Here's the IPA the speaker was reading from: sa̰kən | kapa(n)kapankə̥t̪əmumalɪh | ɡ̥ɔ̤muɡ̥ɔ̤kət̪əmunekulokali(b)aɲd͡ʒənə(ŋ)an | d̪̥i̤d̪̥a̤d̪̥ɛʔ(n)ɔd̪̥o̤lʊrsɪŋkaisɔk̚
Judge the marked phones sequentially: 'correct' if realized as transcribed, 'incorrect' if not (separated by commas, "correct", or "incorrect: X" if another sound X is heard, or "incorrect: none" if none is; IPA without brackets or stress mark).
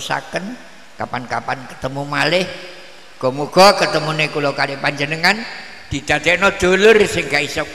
correct, incorrect: p, correct, correct